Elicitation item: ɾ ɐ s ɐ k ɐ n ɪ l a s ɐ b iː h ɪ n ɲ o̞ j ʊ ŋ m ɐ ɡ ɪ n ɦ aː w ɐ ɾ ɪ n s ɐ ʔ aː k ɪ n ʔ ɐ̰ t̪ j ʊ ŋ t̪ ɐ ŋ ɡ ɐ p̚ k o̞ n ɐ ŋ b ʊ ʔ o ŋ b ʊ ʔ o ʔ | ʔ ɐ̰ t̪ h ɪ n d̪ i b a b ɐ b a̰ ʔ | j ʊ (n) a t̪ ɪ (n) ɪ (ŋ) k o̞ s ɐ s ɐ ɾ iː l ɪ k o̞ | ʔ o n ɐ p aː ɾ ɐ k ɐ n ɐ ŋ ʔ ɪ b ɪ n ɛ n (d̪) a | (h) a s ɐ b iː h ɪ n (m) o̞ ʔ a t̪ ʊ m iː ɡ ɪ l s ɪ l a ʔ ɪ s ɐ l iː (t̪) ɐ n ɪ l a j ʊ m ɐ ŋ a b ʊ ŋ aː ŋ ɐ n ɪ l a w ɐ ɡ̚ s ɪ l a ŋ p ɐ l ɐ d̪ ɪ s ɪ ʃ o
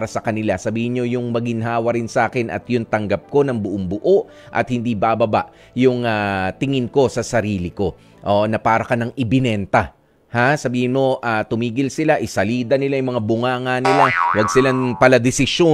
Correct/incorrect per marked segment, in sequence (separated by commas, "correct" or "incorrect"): incorrect, incorrect, incorrect, incorrect, correct, correct, incorrect